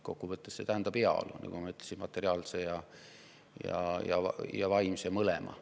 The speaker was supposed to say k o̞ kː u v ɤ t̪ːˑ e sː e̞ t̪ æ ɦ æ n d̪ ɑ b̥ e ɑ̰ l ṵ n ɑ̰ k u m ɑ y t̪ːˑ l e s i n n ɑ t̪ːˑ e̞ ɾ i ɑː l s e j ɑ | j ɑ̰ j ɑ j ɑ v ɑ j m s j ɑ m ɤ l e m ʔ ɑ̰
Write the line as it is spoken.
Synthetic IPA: k o̞ kː u v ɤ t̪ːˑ e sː e̞ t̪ æ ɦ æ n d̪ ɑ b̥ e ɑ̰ l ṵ n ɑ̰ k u m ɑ y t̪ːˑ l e s i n m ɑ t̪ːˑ e̞ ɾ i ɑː l s e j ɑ | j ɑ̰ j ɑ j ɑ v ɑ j m s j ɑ m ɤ l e m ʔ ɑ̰